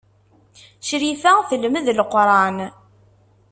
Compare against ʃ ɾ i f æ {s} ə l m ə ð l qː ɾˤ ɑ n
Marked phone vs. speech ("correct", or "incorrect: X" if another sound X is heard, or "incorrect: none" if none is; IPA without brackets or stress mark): incorrect: θ